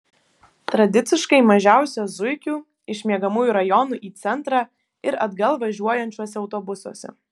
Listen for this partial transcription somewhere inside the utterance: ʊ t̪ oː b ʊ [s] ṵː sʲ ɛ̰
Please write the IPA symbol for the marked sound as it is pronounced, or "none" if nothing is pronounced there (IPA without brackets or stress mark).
s